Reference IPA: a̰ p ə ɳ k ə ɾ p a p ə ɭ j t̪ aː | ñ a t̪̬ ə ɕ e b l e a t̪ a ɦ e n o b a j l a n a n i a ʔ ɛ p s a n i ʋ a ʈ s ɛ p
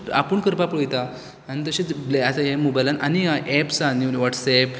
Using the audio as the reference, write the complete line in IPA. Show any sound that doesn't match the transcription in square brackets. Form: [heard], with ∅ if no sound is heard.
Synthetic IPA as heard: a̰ p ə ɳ k ə ɾ p a p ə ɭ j t̪ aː | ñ [i] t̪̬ ə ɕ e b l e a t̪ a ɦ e [m] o b a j l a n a n i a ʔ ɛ p s a n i ʋ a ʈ s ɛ p